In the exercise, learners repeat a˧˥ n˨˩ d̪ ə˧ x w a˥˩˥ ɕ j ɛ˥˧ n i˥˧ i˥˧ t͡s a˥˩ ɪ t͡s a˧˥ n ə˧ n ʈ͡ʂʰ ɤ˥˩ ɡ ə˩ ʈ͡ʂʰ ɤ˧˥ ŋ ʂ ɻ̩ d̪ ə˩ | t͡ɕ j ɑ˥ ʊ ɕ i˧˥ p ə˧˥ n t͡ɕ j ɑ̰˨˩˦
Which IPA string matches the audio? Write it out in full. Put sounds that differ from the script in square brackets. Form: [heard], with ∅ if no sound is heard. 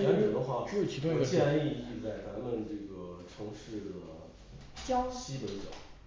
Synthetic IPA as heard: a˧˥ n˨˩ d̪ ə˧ x w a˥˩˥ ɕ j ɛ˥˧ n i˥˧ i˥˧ t͡s a˥˩ ɪ t͡s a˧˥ [m] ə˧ n [ʈ͡ʂ] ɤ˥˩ ɡ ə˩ ʈ͡ʂʰ ɤ˧˥ ŋ ʂ ɻ̩ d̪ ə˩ | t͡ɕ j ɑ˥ ʊ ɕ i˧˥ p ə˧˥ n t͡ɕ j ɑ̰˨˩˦